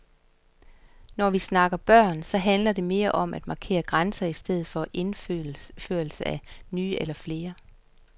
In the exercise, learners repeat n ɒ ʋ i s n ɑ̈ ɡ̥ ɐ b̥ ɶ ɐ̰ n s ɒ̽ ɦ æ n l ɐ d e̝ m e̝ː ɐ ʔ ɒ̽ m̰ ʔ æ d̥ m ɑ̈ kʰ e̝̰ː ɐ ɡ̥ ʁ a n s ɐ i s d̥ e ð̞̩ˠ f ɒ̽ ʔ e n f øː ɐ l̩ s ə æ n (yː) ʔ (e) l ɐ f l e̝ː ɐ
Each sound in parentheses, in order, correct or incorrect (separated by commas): correct, correct